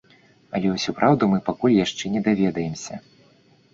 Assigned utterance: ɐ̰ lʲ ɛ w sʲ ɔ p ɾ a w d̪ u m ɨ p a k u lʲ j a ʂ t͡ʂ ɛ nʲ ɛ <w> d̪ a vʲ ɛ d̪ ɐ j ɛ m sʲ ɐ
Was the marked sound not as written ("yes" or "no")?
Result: yes